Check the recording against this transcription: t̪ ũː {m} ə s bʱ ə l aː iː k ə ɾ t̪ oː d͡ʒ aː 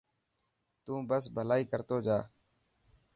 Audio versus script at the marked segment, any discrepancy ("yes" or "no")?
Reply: yes